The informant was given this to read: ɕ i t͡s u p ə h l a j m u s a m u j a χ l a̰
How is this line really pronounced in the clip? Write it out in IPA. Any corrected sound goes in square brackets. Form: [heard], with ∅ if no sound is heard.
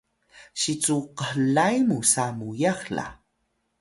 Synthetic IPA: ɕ i t͡s u [q] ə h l a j m u s a m u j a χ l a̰

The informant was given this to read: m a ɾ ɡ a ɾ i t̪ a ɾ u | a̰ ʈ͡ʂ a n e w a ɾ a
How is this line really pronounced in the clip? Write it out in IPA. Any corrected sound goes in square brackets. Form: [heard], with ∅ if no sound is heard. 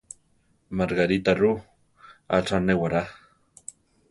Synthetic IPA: m a ɾ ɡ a ɾ i t̪ a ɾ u | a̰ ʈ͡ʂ a n e w a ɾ a

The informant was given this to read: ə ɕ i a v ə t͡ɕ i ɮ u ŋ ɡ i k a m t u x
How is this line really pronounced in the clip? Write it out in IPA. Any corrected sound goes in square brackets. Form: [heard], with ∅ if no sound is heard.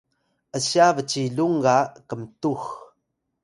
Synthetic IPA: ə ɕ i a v ə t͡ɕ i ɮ u ŋ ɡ [a] k [ə] m t u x

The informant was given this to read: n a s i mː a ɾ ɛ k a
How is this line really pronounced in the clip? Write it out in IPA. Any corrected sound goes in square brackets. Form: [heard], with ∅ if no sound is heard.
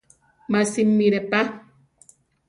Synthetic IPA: [m] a s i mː [i] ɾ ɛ [p] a

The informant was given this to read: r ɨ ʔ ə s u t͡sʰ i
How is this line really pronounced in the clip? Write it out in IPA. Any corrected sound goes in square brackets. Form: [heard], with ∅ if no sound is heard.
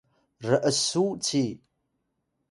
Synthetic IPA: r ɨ ʔ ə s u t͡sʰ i

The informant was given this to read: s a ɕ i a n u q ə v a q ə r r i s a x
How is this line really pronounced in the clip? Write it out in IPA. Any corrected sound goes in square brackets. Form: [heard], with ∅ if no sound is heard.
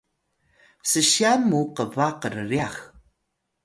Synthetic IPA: s [ə] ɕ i a [m] u q ə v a q ə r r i [∅] a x

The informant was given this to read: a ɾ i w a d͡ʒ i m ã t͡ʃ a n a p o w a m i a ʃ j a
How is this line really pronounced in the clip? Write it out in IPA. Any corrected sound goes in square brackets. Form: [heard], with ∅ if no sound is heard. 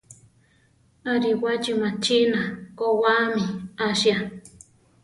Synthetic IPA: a ɾ i w a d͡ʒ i m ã t͡ʃ [i] n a [k] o w a m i a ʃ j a

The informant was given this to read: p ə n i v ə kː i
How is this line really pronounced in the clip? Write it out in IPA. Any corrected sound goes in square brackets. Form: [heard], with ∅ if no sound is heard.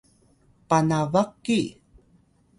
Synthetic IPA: p [a] n [a] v [a] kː i

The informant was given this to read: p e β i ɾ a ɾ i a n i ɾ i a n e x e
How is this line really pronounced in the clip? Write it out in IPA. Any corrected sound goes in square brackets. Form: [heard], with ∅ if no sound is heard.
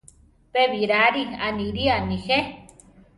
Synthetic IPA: p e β i ɾ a ɾ i a n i ɾ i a n [i] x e

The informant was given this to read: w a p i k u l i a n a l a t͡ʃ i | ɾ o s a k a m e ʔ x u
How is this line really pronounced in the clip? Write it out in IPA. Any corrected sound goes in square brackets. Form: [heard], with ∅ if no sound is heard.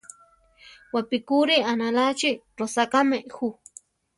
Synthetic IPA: w a p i k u [ɾ] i a n a l a t͡ʃ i | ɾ o s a k a m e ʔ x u

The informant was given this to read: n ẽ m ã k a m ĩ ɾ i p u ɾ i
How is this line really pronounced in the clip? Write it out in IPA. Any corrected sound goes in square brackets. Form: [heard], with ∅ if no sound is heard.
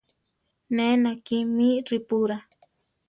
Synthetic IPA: n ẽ [n] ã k [i] m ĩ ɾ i p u ɾ [a]

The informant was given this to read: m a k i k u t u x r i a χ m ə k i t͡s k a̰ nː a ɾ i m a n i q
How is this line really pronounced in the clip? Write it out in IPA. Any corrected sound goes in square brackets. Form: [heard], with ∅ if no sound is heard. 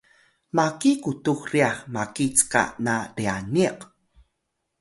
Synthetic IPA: m a k i k u t u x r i a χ m [a] k i t͡s k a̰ [n] a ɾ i [∅] a n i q

